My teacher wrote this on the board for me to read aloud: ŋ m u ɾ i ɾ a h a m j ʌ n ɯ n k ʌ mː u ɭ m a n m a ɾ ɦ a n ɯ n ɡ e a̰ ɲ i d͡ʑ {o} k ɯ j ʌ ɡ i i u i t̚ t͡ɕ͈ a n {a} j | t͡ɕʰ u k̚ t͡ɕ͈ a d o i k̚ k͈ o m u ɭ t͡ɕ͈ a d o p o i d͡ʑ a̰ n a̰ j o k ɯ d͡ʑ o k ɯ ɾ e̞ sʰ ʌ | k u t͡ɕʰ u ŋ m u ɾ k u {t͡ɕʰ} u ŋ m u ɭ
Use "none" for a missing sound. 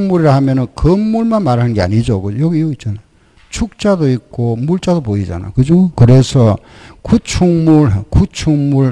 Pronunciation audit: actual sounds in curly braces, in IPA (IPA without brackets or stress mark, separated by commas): o, a, t͡ɕʰ